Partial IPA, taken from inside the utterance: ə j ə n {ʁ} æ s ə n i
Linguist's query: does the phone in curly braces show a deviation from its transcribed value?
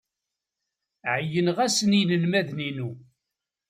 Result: no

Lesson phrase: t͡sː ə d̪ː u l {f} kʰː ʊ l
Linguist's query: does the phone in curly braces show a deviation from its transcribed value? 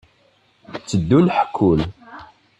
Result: yes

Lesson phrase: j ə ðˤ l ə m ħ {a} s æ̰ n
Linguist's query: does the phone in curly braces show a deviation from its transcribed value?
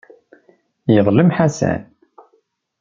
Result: no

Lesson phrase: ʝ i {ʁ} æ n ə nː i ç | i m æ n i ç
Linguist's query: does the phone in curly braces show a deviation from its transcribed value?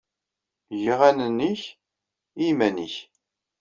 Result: no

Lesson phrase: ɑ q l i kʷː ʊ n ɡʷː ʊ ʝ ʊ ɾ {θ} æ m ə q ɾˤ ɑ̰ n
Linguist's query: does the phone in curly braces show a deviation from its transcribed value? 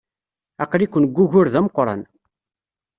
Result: yes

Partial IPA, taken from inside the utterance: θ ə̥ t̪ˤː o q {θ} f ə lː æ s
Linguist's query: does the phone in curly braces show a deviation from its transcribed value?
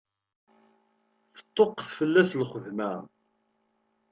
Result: no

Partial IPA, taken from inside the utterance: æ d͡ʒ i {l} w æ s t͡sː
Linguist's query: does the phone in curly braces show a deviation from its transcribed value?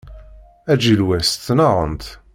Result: no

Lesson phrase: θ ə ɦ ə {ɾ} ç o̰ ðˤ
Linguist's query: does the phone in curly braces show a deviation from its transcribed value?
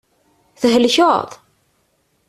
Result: yes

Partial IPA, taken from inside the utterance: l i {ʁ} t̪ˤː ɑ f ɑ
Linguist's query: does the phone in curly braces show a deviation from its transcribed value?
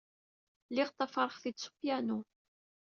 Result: no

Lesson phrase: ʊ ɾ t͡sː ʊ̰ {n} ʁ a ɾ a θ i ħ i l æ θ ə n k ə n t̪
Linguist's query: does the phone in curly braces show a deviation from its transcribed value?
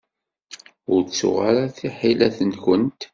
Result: yes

